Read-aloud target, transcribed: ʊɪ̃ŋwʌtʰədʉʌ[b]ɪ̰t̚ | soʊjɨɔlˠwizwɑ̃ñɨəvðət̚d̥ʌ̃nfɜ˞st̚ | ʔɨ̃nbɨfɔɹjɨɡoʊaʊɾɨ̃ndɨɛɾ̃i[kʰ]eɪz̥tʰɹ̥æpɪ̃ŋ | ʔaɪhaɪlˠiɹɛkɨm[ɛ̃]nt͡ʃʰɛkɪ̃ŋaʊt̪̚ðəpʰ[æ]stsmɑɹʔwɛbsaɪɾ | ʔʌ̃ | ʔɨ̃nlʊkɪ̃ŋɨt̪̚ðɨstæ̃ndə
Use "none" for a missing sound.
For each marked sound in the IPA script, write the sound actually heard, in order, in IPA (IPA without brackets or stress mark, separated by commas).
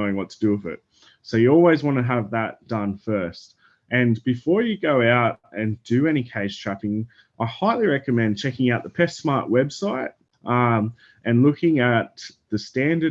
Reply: v, kʰ, ɛ̃, ɛ